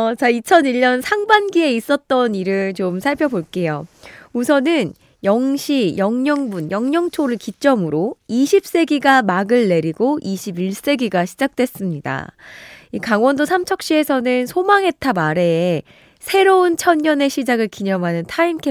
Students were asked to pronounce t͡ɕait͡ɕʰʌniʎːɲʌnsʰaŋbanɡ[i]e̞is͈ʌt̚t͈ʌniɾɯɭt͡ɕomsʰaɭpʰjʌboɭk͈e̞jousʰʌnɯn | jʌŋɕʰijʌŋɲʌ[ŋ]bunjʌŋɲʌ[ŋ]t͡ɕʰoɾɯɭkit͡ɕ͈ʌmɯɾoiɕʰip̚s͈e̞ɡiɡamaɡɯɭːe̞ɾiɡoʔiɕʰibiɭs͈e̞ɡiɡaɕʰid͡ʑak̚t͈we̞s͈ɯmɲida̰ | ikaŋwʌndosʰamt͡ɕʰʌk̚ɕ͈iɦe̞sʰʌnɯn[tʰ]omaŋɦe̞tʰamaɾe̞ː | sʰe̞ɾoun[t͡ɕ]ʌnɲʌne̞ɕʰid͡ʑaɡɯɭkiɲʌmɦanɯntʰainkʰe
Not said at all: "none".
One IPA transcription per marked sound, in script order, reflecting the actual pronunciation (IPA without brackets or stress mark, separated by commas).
i, ŋ, ŋ, sʰ, t͡ɕʰ